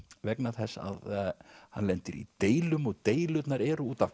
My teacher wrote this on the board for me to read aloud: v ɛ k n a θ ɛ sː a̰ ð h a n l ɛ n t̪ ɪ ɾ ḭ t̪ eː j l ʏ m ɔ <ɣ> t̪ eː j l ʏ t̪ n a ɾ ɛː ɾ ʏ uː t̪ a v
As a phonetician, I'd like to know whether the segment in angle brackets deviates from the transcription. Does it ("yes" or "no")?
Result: no